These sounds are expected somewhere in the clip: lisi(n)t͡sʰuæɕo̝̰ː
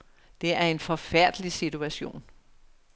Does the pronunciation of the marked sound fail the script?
yes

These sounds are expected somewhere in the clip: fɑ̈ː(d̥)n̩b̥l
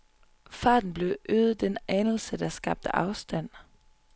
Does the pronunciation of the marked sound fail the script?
no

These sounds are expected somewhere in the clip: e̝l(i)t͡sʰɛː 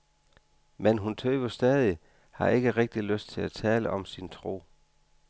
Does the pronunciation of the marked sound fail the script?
yes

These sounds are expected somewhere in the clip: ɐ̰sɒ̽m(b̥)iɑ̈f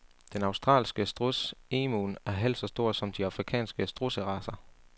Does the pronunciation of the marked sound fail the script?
yes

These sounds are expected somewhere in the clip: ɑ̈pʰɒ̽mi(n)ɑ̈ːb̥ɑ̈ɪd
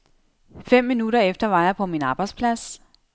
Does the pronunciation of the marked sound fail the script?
no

